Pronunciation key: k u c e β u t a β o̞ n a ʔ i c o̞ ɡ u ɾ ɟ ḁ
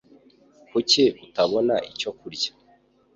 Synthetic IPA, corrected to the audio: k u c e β u t a β o̞ n a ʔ i c o̞ k u ɾ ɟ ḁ